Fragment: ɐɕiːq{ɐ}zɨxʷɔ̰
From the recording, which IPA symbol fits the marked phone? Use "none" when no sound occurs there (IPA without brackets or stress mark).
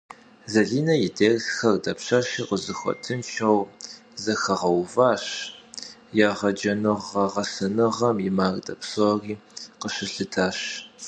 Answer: ə